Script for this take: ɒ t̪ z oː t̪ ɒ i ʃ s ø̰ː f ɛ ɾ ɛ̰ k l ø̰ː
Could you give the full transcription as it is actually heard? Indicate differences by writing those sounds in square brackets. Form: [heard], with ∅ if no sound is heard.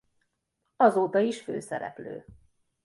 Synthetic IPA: ɒ [∅] z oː t̪ ɒ i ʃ [f] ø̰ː [s] ɛ ɾ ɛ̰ [p] l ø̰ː